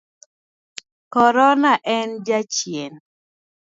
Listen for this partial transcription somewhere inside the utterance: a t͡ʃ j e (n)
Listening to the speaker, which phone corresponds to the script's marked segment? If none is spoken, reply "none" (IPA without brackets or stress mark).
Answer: n